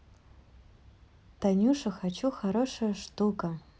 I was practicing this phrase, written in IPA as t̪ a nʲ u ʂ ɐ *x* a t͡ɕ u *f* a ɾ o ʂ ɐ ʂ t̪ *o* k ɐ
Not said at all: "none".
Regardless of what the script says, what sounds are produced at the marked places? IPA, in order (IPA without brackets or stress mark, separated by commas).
x, x, u